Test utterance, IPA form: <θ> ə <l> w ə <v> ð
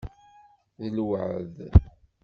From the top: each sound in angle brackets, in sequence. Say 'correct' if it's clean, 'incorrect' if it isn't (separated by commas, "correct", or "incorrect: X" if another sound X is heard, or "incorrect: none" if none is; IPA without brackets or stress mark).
incorrect: ð, correct, incorrect: ʕ